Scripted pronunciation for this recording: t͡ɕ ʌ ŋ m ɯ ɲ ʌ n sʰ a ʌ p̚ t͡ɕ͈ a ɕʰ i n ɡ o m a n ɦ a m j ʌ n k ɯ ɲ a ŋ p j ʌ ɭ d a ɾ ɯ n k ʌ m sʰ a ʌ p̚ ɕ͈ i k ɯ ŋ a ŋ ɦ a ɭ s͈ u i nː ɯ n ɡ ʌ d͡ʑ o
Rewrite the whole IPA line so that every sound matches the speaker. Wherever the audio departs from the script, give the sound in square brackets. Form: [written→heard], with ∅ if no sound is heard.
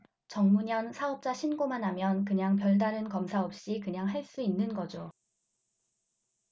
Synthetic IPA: t͡ɕ ʌ ŋ m [ɯ→u] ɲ ʌ n sʰ a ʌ p̚ t͡ɕ͈ a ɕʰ i n ɡ o m a n ɦ a m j ʌ n k ɯ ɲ a ŋ p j ʌ ɭ d a ɾ ɯ n k ʌ m sʰ a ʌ p̚ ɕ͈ i k ɯ [ŋ→ɲ] a ŋ ɦ a ɭ s͈ u i nː ɯ n ɡ ʌ d͡ʑ o